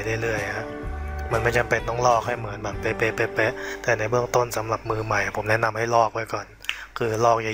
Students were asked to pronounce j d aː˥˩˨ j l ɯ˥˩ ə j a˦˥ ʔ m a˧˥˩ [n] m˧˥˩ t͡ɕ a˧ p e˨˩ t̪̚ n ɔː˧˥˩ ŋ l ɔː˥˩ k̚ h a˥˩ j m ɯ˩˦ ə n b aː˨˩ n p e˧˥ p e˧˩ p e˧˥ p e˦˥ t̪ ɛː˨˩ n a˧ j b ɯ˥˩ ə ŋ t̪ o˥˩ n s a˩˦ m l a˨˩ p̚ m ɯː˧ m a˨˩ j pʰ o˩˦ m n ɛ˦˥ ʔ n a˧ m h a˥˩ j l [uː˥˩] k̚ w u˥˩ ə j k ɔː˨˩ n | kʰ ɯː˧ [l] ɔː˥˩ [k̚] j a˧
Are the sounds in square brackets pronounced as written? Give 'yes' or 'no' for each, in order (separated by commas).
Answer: yes, no, yes, yes